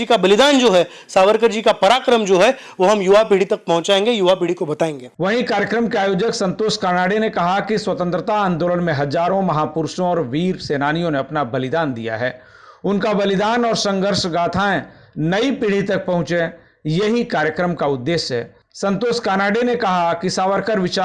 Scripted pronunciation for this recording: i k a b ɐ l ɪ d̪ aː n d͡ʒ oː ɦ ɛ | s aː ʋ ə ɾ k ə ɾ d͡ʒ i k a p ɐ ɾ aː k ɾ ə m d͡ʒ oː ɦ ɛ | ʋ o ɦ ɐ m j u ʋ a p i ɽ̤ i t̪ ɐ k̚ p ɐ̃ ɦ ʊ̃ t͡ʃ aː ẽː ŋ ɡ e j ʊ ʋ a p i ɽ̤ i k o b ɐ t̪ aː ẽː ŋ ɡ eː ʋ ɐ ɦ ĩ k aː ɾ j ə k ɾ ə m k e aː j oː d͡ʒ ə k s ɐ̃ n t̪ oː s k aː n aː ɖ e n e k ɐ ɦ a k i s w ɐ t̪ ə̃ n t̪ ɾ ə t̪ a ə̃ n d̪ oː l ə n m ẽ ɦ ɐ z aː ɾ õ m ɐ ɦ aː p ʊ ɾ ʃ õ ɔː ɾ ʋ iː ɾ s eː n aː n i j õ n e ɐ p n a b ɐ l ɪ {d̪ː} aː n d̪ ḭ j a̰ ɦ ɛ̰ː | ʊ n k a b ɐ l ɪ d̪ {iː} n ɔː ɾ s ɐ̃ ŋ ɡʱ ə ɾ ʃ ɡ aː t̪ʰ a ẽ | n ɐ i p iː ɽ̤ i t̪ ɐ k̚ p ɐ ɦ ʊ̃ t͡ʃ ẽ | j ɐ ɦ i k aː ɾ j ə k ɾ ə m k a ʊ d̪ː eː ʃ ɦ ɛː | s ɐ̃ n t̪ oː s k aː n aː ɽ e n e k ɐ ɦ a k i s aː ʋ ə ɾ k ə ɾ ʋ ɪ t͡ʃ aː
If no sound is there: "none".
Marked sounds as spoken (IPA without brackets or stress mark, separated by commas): d̪, aː